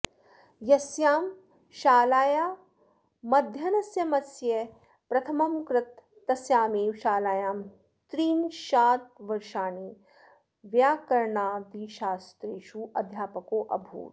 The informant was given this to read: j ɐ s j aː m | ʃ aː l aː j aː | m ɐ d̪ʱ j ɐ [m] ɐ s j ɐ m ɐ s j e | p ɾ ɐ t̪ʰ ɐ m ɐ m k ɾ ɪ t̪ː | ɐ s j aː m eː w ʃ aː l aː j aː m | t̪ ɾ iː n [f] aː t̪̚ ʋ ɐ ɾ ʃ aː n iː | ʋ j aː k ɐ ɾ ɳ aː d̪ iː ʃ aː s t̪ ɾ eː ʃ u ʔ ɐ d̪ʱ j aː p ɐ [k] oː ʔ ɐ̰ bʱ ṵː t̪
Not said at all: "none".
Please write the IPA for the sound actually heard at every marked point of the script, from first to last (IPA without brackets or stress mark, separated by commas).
n, ʃ, k